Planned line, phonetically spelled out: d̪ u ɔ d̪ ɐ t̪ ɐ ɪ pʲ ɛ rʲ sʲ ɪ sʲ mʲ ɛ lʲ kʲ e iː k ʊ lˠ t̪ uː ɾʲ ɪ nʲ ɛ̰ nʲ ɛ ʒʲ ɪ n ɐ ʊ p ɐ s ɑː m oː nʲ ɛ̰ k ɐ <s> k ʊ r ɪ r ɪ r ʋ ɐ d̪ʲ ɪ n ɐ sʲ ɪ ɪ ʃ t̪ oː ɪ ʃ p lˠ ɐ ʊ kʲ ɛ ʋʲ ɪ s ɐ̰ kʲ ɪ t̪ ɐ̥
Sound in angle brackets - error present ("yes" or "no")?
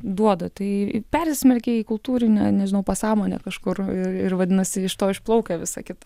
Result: yes